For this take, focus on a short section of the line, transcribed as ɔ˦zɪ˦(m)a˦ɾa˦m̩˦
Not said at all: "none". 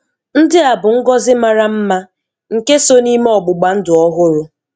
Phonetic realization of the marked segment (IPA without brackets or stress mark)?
m